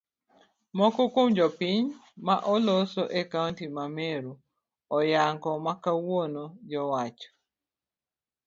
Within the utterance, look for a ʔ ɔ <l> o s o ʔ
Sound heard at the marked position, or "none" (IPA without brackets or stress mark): l